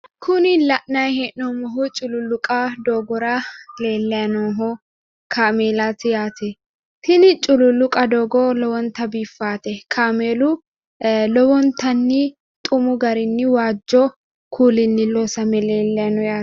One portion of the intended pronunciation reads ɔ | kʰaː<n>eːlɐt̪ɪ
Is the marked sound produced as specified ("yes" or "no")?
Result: no